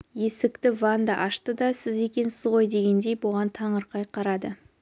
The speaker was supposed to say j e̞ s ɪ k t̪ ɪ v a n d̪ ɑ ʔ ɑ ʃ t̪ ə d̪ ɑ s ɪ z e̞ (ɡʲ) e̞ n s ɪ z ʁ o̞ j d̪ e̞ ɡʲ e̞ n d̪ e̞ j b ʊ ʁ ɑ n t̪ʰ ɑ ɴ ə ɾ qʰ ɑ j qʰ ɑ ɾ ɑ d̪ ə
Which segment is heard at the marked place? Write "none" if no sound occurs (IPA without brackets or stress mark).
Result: kʲ